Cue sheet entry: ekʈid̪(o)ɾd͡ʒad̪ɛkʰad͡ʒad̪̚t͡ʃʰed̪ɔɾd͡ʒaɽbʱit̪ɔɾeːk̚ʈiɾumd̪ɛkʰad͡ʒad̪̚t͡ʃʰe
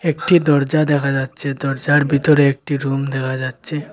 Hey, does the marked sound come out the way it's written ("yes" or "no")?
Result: no